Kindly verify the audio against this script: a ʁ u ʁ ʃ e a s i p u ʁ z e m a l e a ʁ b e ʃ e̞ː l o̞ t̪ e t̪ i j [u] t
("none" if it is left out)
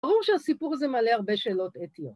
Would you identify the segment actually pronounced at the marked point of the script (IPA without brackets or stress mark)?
o